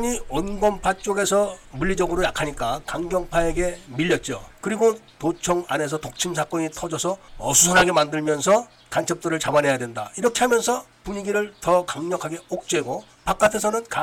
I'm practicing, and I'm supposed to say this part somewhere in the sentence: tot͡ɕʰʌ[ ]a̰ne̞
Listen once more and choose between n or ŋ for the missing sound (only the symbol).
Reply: ŋ